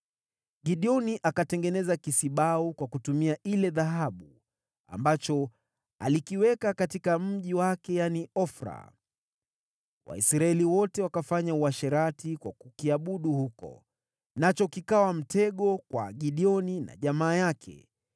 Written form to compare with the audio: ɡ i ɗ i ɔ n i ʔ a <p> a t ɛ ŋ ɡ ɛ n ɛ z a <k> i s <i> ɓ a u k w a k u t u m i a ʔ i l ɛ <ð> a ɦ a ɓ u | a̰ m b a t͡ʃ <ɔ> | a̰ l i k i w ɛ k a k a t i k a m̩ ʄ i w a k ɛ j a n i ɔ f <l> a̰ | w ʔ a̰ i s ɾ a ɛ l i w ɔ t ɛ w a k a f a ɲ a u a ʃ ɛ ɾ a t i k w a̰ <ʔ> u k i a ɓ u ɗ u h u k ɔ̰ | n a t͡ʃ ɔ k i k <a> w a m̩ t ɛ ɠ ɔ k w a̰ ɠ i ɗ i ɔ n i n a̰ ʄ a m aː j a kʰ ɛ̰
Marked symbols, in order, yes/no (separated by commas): no, yes, yes, yes, yes, no, no, yes